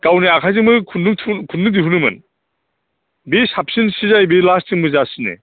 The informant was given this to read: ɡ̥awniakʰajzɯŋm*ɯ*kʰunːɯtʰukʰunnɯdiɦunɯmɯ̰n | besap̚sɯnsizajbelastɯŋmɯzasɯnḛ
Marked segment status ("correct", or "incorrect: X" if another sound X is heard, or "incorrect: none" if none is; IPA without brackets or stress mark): correct